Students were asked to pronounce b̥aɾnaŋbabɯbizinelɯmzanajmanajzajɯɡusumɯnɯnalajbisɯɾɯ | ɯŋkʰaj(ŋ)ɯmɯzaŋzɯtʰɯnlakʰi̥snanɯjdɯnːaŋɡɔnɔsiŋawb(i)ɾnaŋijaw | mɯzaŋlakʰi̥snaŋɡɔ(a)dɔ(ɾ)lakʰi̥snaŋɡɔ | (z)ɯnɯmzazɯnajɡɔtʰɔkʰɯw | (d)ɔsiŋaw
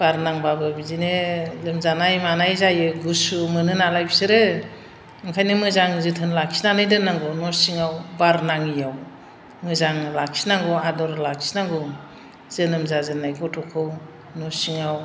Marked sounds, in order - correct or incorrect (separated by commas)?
incorrect, incorrect, correct, correct, correct, incorrect